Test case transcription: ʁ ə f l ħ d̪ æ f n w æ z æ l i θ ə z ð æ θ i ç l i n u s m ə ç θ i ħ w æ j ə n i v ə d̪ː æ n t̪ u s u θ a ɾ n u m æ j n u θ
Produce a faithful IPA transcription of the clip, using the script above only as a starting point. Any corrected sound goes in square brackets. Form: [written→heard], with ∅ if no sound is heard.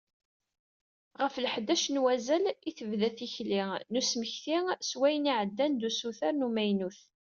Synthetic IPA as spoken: ʁ ə f l ħ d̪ æ [f→ʃ] n w æ z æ l i θ ə [z→v] ð æ θ i ç l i n u s m ə ç θ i [ħ→s] w æ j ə n i [v→ʕ] ə d̪ː æ n [t̪→d̪] u s u θ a ɾ n u m æ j n u θ